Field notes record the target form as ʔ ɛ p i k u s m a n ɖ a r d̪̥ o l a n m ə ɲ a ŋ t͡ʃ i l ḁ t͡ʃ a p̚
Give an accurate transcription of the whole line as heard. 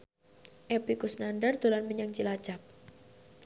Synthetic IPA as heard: ʔ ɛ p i k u s n a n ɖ a r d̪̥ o l a n m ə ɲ a ŋ t͡ʃ i l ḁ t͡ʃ a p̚